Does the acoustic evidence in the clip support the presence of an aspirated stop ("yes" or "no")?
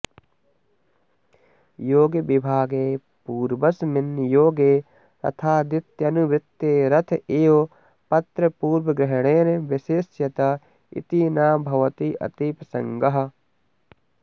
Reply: yes